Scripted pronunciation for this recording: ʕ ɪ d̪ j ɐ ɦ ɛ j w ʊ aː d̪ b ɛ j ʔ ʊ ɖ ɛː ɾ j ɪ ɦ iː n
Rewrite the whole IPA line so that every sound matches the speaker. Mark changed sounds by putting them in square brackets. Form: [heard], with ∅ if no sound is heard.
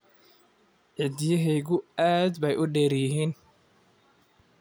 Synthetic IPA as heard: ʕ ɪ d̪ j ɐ ɦ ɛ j [ɣ] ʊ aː d̪ b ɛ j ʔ ʊ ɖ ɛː ɾ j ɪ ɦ iː n